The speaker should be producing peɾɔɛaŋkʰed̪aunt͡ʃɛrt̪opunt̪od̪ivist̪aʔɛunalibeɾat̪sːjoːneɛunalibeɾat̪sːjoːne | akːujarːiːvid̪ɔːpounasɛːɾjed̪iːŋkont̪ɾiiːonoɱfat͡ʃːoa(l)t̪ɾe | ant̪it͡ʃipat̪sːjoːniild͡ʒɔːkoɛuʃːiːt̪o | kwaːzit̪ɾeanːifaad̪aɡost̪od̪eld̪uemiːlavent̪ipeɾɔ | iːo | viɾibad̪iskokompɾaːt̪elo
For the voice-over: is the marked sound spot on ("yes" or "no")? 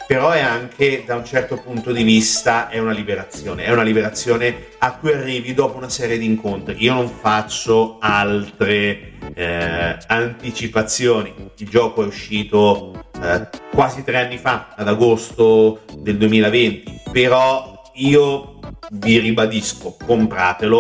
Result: yes